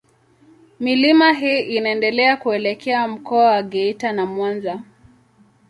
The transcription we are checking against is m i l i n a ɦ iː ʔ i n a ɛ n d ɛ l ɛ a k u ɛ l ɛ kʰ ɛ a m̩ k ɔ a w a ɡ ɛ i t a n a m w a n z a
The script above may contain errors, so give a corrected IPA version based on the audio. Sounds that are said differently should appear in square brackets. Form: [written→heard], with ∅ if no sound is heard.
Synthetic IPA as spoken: m i l i [n→m] a ɦ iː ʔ i n a ɛ n d ɛ l ɛ a k u ɛ l ɛ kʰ ɛ a m̩ k ɔ a w a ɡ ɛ i t a n a m w a n z a